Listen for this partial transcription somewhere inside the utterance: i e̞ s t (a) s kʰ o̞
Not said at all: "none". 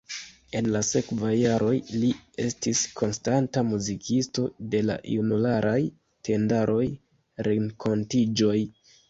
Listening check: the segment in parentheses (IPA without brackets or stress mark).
i